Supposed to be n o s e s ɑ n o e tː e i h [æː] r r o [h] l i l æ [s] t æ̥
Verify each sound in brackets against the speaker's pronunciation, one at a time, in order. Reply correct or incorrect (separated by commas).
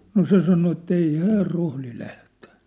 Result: correct, correct, incorrect